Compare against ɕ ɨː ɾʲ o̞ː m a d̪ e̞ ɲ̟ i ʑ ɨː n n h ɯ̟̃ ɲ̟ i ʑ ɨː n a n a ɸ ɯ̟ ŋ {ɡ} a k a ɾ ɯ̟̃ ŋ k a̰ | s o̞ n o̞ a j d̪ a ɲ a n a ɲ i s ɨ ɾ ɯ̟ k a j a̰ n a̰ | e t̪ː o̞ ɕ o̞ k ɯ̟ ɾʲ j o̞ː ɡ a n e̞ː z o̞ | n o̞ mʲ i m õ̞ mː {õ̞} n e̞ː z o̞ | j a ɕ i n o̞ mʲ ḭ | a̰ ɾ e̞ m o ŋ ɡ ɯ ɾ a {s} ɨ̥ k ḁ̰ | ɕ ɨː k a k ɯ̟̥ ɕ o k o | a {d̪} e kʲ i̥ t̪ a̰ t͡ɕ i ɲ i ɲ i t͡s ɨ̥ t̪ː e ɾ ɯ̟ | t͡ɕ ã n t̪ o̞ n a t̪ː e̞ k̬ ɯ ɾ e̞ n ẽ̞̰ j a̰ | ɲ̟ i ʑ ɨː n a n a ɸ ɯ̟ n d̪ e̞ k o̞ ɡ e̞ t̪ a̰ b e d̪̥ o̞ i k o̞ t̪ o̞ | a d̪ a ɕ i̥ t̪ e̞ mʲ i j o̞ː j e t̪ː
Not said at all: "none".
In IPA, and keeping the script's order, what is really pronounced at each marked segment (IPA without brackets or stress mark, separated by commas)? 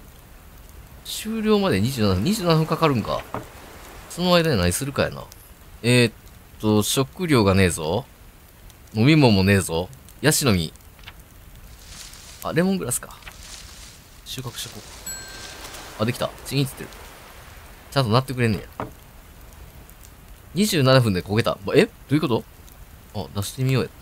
k, o̞, s, d̪